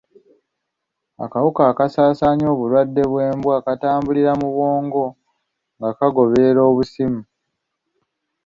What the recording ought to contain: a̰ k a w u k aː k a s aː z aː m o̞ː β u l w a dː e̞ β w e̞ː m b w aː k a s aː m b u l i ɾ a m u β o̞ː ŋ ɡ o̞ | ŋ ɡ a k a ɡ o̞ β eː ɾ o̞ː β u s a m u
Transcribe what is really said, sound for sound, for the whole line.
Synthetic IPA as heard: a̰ k a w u k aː k a s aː s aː ɲ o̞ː β u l w a dː e̞ β w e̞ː m b w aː k a t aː m b u l i ɾ a m u β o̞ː ŋ ɡ o̞ | ŋ ɡ a k a ɡ o̞ β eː ɾ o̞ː β u s i m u